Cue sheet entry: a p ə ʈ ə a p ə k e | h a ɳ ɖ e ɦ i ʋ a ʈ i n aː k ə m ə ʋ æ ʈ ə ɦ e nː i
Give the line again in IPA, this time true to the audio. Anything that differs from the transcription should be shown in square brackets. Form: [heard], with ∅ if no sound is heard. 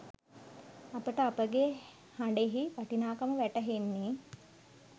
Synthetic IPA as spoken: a p ə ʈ ə a p ə [ɡ] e | h a ɳ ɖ e ɦ i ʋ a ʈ i n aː k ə m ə ʋ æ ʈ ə ɦ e nː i